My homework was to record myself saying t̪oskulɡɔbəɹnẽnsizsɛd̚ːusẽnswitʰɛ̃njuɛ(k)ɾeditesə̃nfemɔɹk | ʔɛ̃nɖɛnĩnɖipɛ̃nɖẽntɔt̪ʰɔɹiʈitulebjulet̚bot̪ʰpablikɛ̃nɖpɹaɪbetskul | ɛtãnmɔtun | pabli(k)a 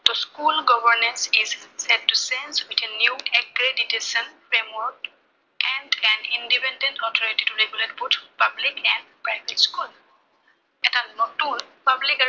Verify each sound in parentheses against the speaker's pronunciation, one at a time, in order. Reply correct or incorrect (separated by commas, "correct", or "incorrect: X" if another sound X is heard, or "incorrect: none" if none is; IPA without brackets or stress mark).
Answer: correct, correct